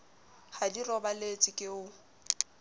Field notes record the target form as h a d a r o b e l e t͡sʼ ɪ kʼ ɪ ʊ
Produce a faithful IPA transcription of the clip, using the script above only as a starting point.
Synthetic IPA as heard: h a d i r ɔ b a l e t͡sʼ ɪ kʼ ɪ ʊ